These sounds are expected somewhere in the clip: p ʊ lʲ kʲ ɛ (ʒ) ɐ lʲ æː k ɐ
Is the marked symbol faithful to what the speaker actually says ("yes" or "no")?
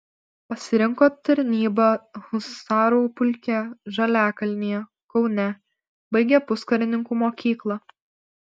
yes